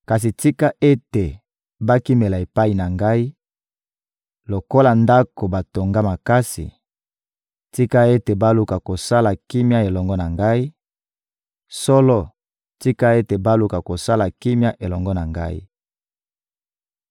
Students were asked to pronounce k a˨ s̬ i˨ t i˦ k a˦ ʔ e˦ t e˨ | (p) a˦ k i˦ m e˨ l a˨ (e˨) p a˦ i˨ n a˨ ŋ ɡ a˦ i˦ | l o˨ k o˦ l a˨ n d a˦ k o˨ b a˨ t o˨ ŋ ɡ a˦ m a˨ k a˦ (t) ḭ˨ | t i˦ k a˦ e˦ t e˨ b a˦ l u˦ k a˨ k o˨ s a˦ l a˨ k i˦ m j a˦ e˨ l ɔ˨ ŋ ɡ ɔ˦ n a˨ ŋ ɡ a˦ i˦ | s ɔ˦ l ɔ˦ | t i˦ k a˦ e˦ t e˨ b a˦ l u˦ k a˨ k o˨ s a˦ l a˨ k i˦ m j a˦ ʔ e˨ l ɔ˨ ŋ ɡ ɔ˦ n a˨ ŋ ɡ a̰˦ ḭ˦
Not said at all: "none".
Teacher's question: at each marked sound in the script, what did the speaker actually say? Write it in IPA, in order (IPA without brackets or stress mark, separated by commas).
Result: b, e˨, s